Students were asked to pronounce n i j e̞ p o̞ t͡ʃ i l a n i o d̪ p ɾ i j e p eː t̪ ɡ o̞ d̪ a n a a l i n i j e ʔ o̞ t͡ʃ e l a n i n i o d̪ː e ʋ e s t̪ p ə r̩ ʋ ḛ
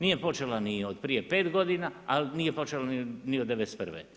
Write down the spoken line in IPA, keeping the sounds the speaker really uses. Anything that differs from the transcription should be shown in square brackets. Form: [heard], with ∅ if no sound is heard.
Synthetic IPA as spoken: n i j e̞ p o̞ t͡ʃ [e] l a n i o d̪ p ɾ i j e p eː t̪ ɡ o̞ d̪ [i] n a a l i n i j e [p] o̞ t͡ʃ e l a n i n i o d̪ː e ʋ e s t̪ p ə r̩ ʋ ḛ